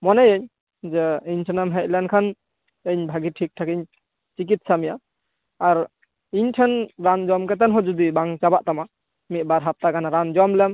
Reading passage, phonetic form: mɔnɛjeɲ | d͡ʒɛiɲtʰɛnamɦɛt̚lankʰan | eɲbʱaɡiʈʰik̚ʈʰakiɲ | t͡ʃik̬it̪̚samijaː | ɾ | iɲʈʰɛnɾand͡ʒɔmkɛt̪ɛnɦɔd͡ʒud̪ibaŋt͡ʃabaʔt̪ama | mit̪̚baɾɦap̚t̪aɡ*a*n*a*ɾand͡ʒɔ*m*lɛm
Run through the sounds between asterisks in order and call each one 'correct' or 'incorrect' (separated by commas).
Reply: correct, correct, correct